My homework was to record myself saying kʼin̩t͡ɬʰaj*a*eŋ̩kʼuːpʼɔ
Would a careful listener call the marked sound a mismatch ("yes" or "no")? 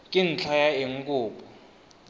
no